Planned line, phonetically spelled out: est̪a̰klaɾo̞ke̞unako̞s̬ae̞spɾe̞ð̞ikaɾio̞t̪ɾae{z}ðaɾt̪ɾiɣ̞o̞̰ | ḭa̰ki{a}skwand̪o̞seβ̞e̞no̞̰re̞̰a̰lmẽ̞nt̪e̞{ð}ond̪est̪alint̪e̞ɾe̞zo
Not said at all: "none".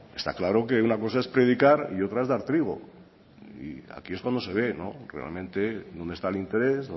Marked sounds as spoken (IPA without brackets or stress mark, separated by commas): z, e, ð